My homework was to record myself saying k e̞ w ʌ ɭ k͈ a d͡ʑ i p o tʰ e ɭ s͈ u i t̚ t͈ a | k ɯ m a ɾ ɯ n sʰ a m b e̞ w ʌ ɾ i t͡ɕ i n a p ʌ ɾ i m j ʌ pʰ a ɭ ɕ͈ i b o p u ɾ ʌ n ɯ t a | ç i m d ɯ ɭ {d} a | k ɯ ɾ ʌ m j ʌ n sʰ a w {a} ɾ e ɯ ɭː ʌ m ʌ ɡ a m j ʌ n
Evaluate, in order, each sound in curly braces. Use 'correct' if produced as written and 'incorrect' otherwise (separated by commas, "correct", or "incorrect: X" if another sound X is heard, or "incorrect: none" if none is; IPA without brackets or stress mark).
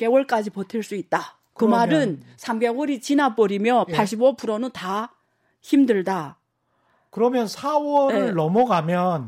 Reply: correct, incorrect: ʌ